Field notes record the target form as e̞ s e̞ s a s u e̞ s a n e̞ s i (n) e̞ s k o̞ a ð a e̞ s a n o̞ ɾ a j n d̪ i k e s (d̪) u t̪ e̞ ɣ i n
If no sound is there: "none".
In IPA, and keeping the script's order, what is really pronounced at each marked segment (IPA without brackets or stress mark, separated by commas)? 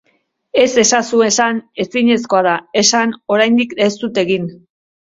ɲ, t̪